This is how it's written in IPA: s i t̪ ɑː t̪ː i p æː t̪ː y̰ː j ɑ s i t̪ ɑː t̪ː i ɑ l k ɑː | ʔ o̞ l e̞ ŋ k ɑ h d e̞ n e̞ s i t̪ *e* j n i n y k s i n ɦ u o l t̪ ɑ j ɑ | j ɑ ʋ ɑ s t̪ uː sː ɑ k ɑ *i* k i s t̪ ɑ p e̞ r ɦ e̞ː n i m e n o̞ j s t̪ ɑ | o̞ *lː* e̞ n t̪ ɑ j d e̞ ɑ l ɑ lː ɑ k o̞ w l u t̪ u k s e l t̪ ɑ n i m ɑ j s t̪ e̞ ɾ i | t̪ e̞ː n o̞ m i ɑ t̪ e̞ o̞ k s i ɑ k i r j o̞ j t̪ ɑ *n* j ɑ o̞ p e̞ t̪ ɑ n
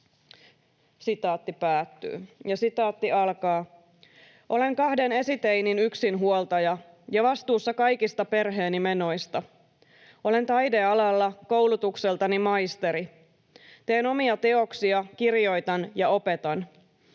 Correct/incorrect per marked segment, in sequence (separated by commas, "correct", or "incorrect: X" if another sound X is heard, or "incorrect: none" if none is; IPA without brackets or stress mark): correct, incorrect: j, incorrect: l, correct